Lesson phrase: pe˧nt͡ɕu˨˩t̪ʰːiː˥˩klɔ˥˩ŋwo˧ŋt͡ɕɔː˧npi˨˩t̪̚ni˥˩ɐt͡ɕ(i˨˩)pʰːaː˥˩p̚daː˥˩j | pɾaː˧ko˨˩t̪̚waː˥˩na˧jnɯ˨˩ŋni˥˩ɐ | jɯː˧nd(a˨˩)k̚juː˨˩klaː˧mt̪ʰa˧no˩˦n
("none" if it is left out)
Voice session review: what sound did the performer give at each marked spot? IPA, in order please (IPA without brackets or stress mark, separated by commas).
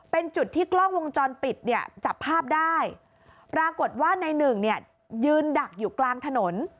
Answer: a˨˩, a˨˩